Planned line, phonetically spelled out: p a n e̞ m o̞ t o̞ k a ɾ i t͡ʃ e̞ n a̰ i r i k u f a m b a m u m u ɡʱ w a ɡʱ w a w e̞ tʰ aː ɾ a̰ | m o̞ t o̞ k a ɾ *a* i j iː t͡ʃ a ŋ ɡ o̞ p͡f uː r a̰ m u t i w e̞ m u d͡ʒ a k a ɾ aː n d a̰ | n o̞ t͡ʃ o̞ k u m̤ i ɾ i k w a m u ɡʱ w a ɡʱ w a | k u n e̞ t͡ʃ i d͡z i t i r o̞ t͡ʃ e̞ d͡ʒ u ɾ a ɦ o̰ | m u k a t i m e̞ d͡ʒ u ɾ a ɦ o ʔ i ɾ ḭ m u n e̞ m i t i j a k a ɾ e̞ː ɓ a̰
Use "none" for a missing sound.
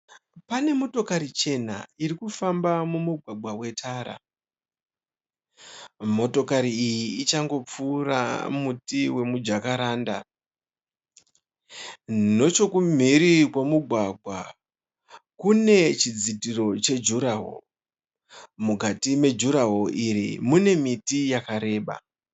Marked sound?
i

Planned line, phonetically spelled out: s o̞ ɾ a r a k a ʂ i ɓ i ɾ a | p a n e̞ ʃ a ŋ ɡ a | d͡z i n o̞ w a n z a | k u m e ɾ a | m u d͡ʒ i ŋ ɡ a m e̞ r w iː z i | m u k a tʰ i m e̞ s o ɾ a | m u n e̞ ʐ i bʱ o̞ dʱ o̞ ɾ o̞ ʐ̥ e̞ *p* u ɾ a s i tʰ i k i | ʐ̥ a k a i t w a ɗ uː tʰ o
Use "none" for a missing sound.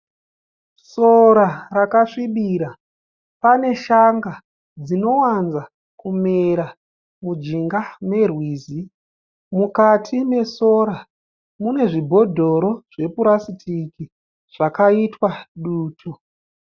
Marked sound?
p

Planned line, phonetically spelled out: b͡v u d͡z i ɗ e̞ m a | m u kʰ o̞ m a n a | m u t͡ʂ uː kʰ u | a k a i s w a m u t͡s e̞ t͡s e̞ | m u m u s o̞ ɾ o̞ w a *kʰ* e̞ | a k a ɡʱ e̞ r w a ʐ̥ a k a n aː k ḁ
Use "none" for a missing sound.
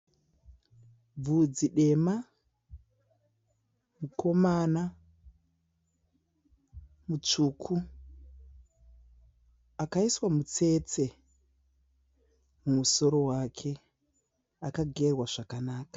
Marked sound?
kʰ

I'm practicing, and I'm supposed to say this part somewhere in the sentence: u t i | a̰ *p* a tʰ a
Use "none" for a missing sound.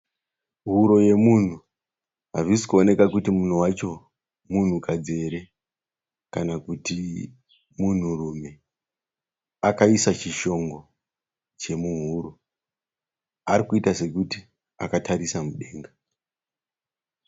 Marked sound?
k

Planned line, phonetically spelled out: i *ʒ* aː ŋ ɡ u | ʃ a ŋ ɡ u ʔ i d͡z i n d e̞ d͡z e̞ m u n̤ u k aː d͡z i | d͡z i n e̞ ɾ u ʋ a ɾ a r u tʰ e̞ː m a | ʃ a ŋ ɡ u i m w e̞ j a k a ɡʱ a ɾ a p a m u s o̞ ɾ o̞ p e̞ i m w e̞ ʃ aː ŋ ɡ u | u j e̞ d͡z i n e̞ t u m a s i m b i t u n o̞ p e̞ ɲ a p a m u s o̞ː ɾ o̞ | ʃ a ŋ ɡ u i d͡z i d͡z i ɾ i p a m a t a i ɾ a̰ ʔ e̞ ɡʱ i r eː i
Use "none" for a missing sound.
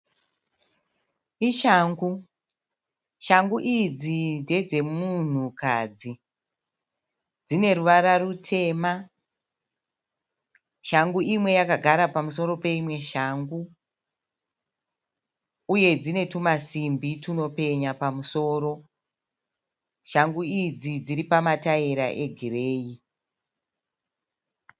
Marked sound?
ʃ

